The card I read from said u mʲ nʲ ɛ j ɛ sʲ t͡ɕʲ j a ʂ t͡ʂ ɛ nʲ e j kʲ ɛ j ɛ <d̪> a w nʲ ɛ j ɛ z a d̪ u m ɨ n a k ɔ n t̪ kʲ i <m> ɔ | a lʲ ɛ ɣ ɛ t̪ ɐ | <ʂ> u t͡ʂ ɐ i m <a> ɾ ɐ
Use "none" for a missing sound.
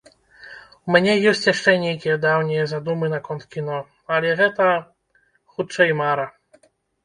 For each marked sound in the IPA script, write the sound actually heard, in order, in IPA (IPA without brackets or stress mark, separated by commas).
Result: d̪, n, x, a